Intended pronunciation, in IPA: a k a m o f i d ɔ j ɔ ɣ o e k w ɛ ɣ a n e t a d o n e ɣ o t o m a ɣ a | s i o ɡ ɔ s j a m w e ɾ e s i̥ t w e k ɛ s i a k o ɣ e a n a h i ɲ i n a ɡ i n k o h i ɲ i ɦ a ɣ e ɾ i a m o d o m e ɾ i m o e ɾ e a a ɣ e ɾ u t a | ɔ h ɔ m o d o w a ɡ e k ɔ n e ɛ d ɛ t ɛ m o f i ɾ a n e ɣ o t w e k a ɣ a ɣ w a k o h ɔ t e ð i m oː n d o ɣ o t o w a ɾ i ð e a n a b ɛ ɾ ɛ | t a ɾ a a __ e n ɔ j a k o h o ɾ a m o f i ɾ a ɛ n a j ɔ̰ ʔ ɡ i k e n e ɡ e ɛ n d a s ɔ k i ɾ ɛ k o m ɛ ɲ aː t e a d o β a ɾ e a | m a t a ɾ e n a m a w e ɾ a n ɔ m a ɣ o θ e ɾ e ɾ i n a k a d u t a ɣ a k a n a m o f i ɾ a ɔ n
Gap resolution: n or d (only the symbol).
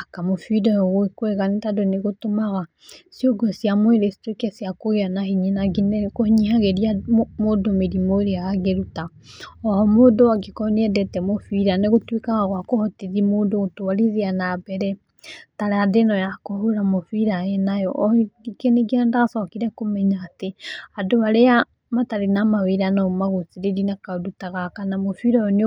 d